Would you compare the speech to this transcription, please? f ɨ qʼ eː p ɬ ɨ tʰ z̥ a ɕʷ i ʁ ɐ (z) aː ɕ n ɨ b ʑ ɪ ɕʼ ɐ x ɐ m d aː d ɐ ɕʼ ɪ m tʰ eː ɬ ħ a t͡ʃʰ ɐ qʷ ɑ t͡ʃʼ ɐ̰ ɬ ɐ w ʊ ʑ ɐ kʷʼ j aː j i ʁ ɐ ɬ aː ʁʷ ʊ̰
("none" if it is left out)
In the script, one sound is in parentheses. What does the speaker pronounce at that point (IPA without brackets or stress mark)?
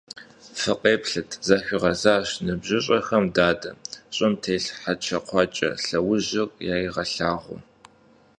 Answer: z